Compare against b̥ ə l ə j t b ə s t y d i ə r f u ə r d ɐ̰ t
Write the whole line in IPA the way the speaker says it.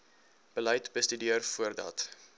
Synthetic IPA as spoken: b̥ ə l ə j t b ə s t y d i ə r f u ə r d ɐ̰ t